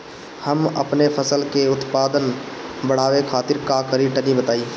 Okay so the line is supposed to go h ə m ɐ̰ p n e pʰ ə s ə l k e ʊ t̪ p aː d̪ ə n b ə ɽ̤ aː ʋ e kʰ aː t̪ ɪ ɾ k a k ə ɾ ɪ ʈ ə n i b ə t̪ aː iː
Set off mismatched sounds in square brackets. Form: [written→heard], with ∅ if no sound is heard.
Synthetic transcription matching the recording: h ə m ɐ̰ p n e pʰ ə s ə l k e ʊ t̪ p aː d̪ ə n b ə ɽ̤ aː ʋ e kʰ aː t̪ ɪ ɾ k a k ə ɾ [ɪ→i] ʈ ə n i b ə t̪ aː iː